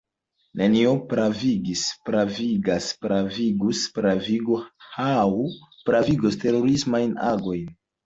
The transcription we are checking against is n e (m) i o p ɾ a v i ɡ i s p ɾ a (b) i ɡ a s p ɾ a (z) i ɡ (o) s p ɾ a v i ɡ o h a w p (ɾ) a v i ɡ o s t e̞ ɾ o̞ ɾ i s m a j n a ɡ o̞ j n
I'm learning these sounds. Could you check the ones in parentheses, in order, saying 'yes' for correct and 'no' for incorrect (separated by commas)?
no, no, no, no, yes